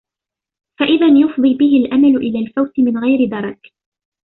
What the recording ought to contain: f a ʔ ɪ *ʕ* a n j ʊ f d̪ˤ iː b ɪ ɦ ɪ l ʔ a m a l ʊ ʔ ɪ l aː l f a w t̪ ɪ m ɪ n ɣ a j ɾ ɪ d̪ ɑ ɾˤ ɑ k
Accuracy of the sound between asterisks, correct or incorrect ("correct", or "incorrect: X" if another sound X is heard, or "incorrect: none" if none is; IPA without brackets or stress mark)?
incorrect: ð